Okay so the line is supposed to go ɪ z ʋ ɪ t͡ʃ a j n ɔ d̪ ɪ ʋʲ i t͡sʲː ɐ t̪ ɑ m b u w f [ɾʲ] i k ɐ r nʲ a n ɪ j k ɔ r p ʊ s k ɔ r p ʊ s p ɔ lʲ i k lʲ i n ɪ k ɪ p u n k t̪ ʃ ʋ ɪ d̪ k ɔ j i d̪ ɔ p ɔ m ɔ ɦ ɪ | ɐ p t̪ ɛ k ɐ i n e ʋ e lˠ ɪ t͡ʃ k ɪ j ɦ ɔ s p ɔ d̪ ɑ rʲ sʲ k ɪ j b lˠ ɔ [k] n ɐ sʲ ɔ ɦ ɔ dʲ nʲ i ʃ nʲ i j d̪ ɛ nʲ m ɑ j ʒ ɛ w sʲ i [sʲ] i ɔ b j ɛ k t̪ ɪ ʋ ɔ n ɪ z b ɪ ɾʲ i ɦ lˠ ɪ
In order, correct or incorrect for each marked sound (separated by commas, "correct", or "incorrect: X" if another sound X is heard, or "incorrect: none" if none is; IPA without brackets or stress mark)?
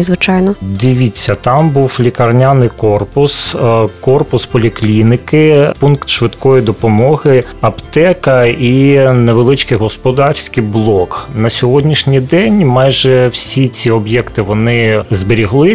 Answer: incorrect: lʲ, correct, incorrect: t͡sʲ